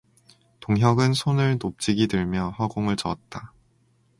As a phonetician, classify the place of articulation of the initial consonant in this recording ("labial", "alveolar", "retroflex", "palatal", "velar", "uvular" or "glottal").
alveolar